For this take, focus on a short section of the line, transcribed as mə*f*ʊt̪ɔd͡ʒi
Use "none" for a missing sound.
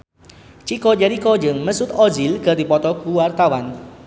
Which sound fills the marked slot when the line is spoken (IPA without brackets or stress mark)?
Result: s